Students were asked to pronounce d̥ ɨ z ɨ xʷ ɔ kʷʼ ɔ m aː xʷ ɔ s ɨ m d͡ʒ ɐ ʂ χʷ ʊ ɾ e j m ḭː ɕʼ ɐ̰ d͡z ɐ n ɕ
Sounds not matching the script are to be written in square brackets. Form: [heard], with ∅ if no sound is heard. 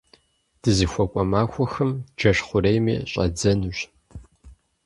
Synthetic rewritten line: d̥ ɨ z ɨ xʷ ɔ kʷʼ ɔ m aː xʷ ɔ [x] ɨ m d͡ʒ ɐ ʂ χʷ ʊ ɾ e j m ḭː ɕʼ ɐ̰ d͡z ɐ n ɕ